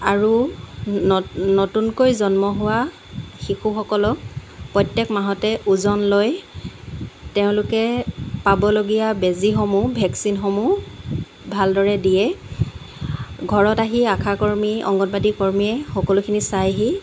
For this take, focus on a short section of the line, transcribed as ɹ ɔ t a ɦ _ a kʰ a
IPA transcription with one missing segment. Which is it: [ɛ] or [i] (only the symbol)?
i